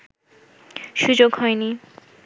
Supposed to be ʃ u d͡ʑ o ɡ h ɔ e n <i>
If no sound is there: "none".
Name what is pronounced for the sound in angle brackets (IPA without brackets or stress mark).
i